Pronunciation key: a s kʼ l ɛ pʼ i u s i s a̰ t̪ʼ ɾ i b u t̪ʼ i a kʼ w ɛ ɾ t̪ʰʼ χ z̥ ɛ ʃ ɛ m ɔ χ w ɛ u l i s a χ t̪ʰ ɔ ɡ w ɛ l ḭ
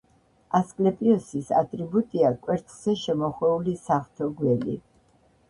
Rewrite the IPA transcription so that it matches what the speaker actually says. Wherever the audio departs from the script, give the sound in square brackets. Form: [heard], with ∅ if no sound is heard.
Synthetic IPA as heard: a s kʼ l ɛ pʼ i [ɔ] s i s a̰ t̪ʼ ɾ i b u t̪ʼ i a kʼ w ɛ ɾ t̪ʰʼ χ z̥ ɛ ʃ ɛ m ɔ χ w ɛ u l i s a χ t̪ʰ ɔ ɡ w ɛ l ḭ